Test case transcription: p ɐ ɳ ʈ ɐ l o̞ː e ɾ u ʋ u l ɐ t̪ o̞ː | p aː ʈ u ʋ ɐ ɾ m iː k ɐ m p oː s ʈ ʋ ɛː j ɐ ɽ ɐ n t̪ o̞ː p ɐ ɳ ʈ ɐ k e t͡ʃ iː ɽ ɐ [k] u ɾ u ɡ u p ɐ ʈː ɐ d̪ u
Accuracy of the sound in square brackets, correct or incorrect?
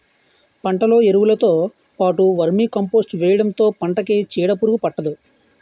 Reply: incorrect